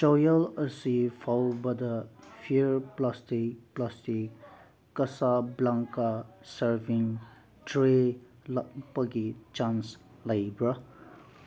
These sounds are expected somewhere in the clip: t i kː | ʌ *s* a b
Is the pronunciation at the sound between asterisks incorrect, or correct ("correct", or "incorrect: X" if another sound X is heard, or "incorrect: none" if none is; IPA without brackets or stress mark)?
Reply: correct